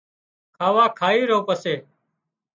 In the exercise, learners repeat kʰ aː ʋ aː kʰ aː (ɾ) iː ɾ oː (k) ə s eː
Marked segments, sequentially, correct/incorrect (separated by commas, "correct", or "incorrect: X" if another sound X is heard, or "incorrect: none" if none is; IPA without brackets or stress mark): incorrect: none, incorrect: p